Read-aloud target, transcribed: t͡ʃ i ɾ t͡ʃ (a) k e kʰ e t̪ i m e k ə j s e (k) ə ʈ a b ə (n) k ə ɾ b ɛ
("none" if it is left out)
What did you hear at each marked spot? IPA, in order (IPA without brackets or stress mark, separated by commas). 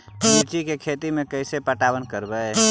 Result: i, p, n